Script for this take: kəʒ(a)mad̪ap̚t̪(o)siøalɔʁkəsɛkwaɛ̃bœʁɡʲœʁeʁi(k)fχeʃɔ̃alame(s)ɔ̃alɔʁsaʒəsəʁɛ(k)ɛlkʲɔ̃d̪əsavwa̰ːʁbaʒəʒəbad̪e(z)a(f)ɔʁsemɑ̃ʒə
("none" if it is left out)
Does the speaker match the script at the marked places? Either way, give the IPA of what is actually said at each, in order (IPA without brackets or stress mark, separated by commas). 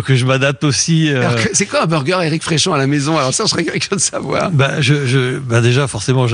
ə, o, k, z, k, ʒ, f